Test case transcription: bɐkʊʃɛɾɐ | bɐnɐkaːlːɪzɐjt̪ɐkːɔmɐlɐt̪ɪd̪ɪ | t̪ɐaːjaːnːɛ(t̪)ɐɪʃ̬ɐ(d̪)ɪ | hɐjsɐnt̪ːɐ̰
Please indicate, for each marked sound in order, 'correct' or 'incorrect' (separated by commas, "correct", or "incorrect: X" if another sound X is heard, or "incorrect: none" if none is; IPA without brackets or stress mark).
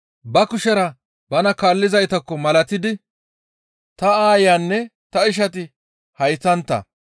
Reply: correct, incorrect: t̪